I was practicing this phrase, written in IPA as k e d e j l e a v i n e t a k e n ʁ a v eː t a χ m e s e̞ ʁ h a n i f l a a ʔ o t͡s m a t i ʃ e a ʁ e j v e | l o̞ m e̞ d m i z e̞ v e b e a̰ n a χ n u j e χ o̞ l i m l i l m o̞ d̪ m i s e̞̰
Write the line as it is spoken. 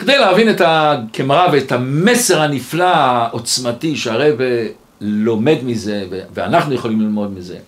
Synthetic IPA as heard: k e d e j l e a v i n e t a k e m ʁ a v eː t a m e s e̞ ʁ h a n i f l a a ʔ o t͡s m a t i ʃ e a ʁ e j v e | l o̞ m e̞ d m i z e̞ v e v e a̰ n a χ n u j e χ o̞ l i m l i l m o̞ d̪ m i z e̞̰